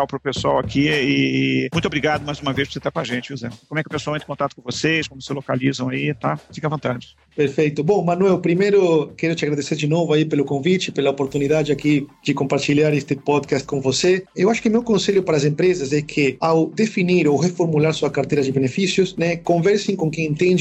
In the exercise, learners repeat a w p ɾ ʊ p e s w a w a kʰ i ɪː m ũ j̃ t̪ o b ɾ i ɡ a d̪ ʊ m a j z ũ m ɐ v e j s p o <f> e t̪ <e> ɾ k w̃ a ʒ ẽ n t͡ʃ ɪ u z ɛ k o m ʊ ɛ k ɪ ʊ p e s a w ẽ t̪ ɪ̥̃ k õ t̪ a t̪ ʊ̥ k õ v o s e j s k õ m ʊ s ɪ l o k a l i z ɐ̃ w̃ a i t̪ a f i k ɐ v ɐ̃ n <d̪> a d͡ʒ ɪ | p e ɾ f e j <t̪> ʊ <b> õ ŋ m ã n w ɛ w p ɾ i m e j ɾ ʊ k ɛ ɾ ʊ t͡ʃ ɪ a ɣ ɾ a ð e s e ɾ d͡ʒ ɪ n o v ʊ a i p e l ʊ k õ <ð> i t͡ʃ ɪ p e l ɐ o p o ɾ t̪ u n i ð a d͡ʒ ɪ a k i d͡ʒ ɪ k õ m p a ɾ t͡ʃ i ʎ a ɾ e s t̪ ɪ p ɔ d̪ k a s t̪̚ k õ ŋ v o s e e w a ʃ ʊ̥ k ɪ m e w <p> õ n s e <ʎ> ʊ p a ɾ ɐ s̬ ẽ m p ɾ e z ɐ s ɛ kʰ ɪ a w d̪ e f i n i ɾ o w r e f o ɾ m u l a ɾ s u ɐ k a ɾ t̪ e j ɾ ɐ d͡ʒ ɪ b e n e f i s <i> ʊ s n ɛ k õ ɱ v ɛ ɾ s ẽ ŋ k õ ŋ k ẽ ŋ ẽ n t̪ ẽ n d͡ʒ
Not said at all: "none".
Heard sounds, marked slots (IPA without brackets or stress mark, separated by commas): s, a, t̪, t̪, b, v, k, ʎ, j